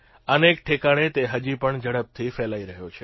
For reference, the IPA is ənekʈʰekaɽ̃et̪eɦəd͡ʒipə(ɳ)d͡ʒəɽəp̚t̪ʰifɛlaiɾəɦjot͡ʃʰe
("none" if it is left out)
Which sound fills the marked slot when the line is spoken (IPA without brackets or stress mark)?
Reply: ɳ